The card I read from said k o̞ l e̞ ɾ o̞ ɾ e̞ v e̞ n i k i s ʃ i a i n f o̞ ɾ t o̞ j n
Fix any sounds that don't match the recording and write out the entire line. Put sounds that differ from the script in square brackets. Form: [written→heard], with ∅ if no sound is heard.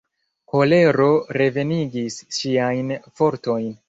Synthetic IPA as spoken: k o̞ l e̞ ɾ o̞ ɾ e̞ v e̞ n i [k→ɡ] i s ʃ i a [i→j] n f o̞ ɾ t o̞ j n